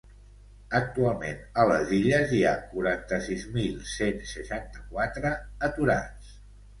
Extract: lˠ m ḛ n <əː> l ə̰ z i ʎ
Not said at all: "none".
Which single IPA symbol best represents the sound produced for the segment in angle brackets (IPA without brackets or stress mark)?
ə